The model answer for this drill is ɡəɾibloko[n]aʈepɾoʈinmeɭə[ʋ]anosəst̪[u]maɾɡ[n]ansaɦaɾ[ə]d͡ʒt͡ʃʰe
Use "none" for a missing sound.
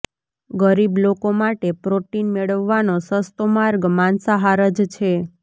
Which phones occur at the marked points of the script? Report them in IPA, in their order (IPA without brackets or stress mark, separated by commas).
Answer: m, ʋː, o, m, ə